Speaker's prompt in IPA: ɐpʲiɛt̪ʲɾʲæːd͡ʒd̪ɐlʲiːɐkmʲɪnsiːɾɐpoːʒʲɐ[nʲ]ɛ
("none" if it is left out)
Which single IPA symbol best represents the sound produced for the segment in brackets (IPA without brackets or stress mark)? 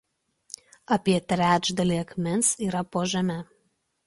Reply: mʲ